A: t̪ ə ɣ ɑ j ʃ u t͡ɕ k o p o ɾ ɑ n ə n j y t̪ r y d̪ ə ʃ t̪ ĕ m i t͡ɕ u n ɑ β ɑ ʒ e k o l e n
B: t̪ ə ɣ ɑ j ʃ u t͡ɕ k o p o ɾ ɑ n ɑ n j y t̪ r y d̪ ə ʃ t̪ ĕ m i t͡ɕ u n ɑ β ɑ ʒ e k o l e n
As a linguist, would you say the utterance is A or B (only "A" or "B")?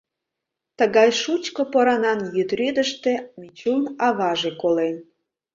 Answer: B